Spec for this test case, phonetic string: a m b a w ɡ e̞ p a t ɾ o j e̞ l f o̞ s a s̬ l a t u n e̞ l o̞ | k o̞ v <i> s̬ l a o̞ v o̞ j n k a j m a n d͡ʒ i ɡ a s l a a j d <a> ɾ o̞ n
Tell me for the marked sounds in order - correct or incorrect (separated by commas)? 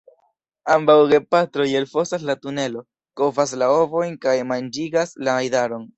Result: incorrect, correct